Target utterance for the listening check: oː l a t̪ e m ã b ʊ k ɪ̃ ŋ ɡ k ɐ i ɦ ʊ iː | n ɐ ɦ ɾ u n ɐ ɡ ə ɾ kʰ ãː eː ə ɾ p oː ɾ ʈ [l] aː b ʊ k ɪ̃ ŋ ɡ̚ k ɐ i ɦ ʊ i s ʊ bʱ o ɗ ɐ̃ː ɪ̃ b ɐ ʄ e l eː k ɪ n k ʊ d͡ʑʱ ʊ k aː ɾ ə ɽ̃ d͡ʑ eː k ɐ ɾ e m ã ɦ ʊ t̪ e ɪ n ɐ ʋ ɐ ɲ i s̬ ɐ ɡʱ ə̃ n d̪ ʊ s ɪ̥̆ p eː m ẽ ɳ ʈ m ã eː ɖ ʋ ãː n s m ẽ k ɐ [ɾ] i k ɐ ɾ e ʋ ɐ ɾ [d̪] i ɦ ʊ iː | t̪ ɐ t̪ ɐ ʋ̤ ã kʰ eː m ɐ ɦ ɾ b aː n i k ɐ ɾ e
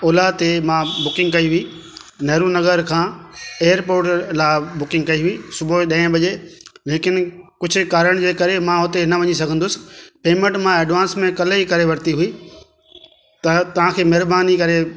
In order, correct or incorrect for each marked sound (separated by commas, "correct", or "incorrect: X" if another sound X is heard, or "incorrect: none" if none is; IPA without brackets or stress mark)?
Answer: correct, incorrect: l, incorrect: t̪